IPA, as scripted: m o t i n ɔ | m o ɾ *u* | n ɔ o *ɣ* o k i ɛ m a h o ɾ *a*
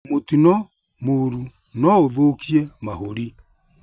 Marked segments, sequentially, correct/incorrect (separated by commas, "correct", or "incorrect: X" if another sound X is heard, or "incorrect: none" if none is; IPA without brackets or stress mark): correct, incorrect: ð, incorrect: i